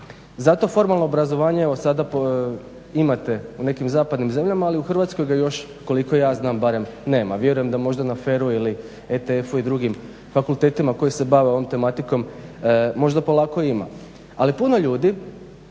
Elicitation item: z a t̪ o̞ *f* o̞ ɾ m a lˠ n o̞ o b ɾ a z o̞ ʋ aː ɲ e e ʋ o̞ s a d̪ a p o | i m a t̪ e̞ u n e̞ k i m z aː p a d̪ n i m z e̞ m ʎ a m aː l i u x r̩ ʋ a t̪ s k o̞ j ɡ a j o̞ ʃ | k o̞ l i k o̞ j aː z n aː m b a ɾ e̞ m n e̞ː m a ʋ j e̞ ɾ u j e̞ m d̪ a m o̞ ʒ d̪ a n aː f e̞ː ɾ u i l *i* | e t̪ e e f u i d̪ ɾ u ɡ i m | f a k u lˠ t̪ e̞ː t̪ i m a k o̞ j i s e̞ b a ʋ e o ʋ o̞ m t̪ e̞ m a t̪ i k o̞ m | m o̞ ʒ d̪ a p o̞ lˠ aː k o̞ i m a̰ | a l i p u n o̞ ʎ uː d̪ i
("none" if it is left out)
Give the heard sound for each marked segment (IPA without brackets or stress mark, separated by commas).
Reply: f, i